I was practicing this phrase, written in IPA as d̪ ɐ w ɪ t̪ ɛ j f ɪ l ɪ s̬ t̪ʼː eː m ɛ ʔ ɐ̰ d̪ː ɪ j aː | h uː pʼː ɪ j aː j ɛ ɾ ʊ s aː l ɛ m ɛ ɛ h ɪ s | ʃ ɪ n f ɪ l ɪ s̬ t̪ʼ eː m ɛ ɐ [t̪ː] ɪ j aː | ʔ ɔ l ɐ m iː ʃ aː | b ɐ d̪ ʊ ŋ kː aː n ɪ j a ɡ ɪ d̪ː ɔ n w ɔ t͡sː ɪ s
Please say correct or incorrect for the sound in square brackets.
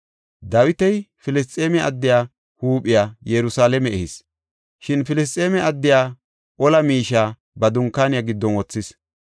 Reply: incorrect: d̪ː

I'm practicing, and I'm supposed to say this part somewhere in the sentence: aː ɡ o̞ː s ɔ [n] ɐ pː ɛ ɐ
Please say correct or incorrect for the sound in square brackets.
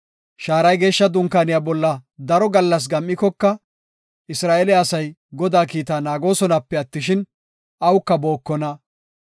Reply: correct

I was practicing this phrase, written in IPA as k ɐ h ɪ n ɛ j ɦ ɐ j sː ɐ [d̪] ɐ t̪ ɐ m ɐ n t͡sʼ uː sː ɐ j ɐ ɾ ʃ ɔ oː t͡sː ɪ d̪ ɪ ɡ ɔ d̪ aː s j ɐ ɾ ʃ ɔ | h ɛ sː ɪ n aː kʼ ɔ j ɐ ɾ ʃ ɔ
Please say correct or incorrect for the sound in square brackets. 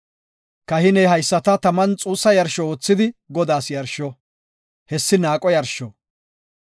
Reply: incorrect: t̪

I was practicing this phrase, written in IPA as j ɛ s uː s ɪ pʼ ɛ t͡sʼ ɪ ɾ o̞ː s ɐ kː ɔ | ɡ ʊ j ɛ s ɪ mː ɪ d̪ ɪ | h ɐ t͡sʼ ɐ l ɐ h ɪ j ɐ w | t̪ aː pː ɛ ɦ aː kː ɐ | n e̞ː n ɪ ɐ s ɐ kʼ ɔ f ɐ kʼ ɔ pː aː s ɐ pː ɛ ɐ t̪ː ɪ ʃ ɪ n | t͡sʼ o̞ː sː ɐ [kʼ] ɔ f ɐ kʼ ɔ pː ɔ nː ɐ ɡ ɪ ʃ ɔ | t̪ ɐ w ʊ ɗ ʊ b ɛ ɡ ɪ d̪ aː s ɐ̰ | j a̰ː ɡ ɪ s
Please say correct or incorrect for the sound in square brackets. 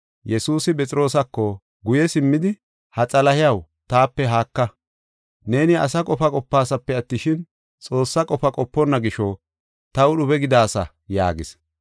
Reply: correct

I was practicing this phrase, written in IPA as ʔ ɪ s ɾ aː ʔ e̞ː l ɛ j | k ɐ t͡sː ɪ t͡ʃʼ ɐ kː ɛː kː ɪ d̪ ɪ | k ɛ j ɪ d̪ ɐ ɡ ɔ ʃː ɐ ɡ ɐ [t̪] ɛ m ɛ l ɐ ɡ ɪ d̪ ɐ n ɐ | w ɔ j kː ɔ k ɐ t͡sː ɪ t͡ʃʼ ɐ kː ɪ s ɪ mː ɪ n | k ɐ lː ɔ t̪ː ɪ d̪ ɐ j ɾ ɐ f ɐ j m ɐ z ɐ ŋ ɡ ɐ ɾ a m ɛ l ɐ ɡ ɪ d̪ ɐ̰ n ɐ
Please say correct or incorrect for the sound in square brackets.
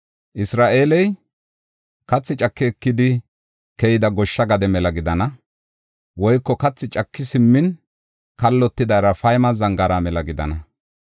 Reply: incorrect: d̪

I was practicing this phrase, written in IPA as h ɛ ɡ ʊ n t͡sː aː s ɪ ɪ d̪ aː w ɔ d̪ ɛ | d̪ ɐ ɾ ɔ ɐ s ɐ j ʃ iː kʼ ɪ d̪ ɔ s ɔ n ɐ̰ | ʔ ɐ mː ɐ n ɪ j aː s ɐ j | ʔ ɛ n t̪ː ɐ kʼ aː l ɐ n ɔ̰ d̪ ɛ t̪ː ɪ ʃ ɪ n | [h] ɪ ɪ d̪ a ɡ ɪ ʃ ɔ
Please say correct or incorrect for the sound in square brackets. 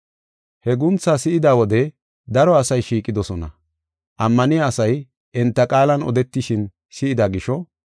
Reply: incorrect: s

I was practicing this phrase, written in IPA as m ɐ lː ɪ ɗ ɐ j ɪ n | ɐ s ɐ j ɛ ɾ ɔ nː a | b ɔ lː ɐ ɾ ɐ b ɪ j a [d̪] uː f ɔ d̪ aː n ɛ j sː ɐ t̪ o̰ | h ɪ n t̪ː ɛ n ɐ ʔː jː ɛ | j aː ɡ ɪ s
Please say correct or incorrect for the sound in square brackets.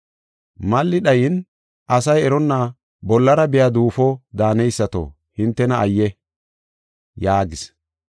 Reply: correct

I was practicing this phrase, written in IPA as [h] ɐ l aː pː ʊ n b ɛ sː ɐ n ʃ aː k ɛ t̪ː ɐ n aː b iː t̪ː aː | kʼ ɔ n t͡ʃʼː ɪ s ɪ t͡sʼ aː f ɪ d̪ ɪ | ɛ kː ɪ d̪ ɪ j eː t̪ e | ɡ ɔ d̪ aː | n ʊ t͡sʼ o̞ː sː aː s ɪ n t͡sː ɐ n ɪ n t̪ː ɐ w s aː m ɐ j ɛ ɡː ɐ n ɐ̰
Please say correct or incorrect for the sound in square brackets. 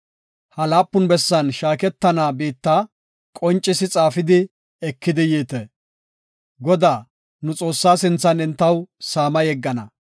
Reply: correct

